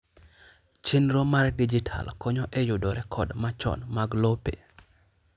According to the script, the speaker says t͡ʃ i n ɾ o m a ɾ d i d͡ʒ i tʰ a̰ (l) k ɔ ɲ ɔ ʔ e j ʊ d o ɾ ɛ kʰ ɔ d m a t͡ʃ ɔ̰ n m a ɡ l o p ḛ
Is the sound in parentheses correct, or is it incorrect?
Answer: correct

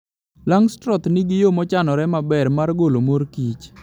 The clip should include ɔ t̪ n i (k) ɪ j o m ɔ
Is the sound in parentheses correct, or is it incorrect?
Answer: incorrect: ɡ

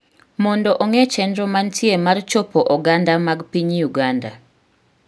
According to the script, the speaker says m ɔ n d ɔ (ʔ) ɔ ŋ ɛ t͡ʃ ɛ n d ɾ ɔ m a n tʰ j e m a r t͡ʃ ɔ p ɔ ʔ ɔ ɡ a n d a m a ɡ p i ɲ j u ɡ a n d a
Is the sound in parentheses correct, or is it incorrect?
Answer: correct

